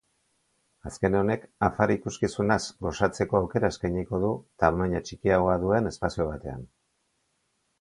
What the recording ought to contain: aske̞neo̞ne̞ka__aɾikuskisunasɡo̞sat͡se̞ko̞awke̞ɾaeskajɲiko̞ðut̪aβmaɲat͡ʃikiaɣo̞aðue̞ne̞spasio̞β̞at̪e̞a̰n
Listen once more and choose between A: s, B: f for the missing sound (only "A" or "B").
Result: B